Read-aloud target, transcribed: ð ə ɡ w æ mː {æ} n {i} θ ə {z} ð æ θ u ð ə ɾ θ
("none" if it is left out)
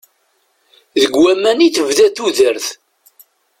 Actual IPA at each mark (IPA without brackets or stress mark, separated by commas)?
æ, i, v